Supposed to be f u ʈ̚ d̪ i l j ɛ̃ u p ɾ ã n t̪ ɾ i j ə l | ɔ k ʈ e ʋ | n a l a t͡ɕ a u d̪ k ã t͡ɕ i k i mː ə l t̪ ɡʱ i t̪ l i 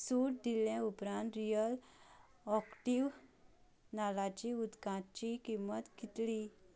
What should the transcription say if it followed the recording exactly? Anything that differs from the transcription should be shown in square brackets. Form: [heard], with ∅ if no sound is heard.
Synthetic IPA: [s] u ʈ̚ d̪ i l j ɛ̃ u p ɾ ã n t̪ ɾ i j ə l | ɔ k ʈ [i] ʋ | n a l a t͡ɕ [i] u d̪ k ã t͡ɕ i k i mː ə [∅] t̪ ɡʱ i t̪ l i